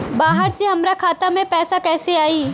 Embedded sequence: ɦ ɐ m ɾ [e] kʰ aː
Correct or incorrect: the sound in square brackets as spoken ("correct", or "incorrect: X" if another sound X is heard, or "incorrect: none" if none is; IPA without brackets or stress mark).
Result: incorrect: a